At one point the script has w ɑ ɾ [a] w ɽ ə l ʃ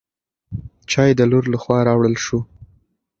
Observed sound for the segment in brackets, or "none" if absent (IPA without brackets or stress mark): ɑ